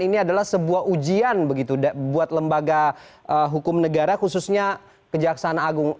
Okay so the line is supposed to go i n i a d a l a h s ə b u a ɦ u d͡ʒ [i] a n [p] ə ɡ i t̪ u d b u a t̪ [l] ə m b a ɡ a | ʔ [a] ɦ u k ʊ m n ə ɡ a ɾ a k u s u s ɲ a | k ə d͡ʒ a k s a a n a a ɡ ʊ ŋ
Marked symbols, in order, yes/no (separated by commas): yes, no, yes, no